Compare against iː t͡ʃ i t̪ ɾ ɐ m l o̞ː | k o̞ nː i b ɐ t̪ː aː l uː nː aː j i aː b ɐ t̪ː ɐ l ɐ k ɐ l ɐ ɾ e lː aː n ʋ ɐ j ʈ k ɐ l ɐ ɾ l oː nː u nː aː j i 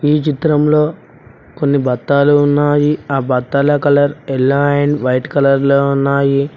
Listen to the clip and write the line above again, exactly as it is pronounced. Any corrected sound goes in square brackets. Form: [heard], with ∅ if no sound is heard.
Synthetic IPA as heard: iː t͡ʃ i t̪ ɾ ɐ m l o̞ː | k o̞ nː i b ɐ t̪ː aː l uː nː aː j i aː b ɐ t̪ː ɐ l ɐ k ɐ l ɐ ɾ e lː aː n ʋ ɐ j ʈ k ɐ l ɐ ɾ l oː [∅] u nː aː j i